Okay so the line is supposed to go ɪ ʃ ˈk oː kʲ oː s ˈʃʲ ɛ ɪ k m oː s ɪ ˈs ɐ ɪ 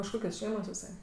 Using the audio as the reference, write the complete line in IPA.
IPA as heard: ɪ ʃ ˈk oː kʲ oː s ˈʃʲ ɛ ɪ m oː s ɪ ˈs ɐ ɪ